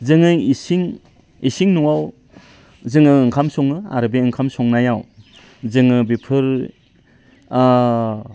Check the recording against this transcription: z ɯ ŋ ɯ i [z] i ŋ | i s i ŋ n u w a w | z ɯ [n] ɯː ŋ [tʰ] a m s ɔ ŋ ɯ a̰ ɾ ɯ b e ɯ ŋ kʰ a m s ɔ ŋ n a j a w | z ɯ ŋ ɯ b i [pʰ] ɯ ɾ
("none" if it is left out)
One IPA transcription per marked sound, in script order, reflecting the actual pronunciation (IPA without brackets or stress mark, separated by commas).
s, ŋ, kʰ, pʰ